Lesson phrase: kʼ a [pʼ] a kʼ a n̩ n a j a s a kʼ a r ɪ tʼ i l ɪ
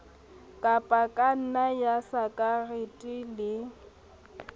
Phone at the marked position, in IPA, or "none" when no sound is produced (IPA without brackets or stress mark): pʼ